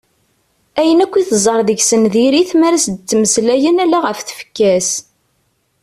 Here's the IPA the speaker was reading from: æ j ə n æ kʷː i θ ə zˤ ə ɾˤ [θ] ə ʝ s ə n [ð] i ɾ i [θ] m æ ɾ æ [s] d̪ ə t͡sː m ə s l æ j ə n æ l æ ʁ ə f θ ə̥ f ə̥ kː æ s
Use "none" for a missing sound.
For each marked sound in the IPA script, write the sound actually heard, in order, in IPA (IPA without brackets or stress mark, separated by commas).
ð, ð, θ, s